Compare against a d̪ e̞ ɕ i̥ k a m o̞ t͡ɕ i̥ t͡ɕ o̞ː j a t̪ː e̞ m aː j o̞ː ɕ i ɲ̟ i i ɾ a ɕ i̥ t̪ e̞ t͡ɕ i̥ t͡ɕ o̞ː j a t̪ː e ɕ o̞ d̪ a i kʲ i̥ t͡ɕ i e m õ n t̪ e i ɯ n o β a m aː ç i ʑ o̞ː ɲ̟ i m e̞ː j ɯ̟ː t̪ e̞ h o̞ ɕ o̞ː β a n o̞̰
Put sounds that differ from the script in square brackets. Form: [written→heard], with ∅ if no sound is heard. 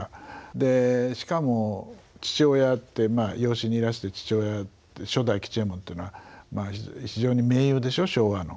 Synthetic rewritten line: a d̪ e̞ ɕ i̥ k a m o̞ t͡ɕ i̥ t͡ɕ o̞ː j a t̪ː e̞ m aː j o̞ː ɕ i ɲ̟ i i ɾ a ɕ i̥ t̪ e̞ t͡ɕ i̥ t͡ɕ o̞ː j a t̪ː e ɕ o̞ d̪ a i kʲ i̥ t͡ɕ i e m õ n t̪ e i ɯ n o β a m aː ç i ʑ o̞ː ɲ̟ i m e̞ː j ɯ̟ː [t̪→d̪] e̞ [h→ɕ] o̞ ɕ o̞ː β a n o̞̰